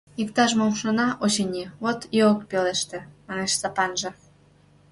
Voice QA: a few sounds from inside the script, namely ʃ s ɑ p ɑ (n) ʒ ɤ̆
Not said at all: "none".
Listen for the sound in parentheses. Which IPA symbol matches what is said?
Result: n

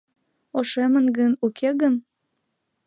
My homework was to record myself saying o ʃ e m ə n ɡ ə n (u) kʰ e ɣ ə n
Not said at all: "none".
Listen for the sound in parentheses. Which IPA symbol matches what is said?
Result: u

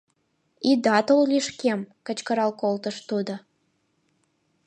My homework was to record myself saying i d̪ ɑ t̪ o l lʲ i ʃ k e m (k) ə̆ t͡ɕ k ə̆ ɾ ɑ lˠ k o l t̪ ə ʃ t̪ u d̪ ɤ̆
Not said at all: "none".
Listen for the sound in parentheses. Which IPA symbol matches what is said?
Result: k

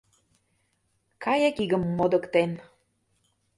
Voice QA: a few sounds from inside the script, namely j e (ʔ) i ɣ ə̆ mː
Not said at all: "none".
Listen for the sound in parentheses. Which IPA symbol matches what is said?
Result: k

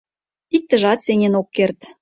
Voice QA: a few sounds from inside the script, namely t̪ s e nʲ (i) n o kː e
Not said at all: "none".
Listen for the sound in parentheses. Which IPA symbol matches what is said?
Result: e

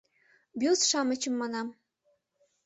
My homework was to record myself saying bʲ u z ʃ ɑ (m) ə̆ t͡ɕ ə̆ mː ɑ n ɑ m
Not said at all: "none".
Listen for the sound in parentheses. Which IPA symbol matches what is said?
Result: m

